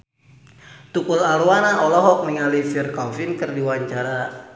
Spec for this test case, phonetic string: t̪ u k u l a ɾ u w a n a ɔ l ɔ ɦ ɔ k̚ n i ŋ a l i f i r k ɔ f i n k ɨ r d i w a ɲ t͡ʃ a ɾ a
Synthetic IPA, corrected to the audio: t̪ u k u l a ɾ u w a n a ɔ l ɔ ɦ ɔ k̚ n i ŋ a l i f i r k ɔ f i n k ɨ r d i w a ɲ t͡ʃ a ɾ a